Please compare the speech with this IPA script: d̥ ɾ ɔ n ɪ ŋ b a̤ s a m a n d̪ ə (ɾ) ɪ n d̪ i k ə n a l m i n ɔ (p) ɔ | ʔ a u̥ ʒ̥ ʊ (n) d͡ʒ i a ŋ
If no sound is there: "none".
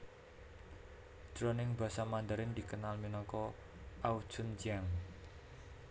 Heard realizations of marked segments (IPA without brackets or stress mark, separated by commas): ɾ, k, n